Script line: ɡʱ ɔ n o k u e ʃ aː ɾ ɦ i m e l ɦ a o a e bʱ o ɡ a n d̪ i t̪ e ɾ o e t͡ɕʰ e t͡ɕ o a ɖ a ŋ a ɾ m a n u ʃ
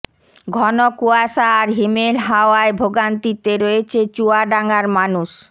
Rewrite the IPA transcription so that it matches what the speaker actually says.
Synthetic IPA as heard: ɡʱ ɔ n o k u a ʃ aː ɾ ɦ i m e l ɦ a o a e bʱ o ɡ a n t̪ i t̪ e ɾ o e t͡ɕʰ e t͡ɕ u a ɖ a ŋ a ɾ m a n u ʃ